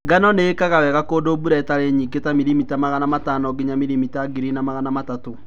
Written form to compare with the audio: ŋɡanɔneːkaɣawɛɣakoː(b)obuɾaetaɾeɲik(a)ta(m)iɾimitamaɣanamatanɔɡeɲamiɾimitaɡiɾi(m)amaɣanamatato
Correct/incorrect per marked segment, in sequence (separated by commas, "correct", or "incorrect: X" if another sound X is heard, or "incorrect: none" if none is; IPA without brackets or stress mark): incorrect: d, incorrect: e, correct, incorrect: n